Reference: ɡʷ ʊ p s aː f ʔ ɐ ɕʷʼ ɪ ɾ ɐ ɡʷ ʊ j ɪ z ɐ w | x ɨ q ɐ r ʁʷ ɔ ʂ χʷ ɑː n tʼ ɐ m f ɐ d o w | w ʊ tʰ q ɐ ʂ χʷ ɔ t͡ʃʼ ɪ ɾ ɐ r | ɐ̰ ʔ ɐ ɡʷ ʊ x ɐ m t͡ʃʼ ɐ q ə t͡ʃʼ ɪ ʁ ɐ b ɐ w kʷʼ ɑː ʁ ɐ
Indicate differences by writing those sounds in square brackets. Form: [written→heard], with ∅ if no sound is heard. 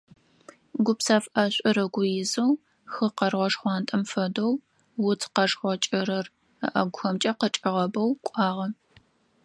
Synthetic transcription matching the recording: ɡʷ ʊ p s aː f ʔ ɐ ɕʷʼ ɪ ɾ ɐ ɡʷ ʊ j ɪ z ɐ w | x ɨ q ɐ r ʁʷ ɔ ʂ χʷ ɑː n tʼ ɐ m f ɐ d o w | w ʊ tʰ q ɐ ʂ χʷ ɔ t͡ʃʼ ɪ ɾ ɐ r | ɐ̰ ʔ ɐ ɡʷ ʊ x ɐ m t͡ʃʼ ɐ q ə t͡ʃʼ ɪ ʁ ɐ b ɐ w kʷʼ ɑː ʁ ɐ